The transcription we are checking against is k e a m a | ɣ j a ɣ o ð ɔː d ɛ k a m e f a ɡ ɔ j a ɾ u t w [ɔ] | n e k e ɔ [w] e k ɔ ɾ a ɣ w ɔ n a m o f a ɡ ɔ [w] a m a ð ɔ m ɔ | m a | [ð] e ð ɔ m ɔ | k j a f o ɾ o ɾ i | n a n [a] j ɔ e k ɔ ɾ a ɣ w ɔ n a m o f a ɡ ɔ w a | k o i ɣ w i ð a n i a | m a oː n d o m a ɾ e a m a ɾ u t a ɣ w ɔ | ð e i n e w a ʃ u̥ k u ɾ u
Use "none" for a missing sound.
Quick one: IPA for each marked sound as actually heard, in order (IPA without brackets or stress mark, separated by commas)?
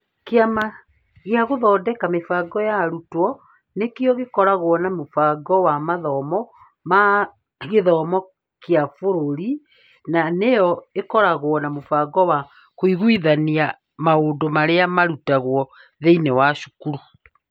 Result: ɔ, ɣ, w, ɣ, e